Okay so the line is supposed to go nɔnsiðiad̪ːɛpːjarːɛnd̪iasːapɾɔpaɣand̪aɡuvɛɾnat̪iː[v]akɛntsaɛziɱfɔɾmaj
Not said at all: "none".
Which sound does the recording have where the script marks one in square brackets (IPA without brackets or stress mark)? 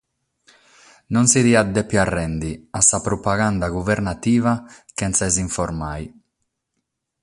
v